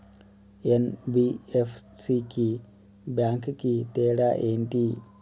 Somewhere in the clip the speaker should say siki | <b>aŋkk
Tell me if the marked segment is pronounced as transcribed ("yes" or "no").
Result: yes